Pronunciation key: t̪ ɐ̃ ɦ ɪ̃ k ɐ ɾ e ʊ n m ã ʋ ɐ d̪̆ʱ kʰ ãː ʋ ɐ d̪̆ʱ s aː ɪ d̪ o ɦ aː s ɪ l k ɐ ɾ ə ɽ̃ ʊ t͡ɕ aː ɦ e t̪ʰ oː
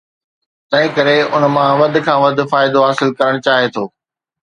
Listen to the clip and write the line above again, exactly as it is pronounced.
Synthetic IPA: t̪ ɐ̃ ɦ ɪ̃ k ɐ ɾ e ʊ n m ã ʋ ɐ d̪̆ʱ kʰ ãː ʋ ɐ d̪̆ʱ f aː ɪ d̪ o ɦ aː s ɪ l k ɐ ɾ ə ɽ̃ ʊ t͡ɕ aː ɦ e t̪ʰ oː